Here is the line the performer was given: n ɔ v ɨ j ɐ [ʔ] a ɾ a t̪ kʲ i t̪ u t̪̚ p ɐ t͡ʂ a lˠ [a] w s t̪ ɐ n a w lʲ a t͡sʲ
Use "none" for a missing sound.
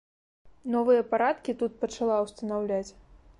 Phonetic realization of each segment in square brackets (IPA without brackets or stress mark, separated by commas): p, a